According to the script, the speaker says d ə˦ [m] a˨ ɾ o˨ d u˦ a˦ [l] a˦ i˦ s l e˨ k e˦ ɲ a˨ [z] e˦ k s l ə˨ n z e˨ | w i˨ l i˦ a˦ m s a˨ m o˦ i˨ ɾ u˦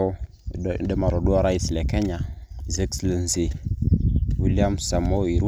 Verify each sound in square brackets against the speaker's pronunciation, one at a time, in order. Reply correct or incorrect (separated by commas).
correct, incorrect, correct